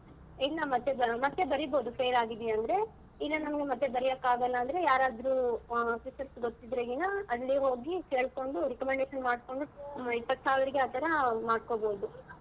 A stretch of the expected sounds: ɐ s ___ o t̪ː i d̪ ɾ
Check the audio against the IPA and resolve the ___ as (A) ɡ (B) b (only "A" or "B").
A